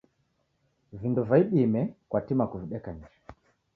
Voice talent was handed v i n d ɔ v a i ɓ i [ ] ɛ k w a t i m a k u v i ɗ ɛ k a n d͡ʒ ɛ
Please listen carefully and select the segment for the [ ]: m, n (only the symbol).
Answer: m